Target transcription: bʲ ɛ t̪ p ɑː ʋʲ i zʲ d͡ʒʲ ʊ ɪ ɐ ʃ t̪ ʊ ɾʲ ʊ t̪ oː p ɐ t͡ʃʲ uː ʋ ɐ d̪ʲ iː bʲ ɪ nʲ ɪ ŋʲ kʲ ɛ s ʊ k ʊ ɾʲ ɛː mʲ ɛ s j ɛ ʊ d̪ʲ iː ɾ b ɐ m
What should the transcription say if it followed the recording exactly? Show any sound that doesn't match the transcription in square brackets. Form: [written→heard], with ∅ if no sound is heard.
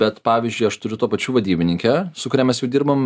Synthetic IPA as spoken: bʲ ɛ t̪ p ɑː ʋʲ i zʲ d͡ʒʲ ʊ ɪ ɐ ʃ t̪ ʊ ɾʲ ʊ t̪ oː p ɐ t͡ʃʲ uː ʋ ɐ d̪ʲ iː bʲ ɪ nʲ ɪ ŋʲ kʲ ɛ s ʊ k ʊ ɾʲ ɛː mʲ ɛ s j ɛ ʊ d̪ʲ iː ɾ b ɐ m